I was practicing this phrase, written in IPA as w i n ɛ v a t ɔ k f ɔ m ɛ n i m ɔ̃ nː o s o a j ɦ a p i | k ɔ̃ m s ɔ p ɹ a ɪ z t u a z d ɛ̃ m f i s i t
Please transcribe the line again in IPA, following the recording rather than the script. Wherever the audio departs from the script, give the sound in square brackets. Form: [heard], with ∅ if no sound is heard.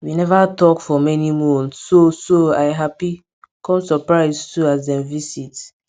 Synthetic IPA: w i n ɛ v a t ɔ k f ɔ m ɛ n i m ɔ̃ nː o s o a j ɦ a p i | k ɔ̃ m s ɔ p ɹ a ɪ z t u a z d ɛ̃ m [v] i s i t